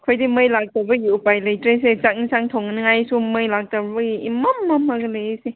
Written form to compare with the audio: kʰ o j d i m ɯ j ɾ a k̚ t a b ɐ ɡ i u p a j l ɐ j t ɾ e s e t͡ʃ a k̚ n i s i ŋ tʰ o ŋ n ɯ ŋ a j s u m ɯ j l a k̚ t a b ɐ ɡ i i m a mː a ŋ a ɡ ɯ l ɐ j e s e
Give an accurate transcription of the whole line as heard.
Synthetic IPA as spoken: kʰ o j d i m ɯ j l a k̚ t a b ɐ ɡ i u p a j l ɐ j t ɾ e s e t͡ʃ a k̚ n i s a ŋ tʰ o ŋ n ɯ ŋ a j s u m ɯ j l a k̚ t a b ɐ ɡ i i m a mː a m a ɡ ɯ l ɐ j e s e